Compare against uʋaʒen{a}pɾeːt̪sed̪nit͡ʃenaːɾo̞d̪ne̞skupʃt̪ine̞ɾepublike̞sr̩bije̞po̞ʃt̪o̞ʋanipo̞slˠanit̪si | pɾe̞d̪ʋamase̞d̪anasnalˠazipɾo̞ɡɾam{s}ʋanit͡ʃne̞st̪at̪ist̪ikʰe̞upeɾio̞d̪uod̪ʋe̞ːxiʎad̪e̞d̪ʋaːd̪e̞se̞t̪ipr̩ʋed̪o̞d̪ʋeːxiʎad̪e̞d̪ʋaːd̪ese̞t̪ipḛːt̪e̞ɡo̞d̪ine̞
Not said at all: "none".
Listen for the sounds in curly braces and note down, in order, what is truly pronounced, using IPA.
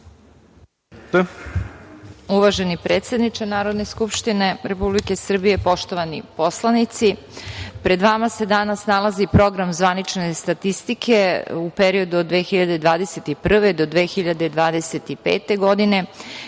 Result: i, z

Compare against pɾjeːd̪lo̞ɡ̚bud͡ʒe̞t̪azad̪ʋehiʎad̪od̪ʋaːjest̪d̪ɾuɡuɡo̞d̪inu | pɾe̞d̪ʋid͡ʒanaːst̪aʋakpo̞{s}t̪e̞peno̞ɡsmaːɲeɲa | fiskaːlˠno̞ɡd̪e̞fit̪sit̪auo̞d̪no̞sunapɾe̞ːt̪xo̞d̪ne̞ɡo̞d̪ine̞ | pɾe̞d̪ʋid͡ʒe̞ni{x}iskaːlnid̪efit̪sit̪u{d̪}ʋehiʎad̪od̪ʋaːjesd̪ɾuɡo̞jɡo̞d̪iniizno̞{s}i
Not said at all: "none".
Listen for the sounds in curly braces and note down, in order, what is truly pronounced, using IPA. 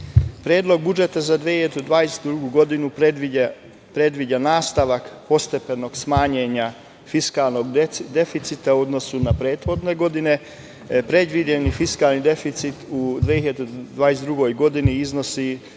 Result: s, f, d̪, s

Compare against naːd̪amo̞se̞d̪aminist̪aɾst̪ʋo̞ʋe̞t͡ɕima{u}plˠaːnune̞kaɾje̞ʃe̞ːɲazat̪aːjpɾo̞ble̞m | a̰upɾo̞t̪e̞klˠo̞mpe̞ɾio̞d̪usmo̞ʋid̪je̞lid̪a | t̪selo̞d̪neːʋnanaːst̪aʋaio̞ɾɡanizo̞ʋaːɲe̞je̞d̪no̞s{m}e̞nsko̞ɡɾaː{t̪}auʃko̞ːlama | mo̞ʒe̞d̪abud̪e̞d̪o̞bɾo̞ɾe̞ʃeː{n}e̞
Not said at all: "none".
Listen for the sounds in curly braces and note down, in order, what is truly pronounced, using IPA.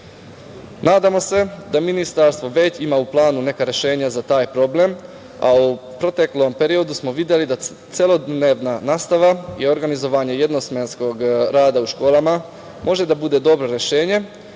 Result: u, m, d̪, ɲ

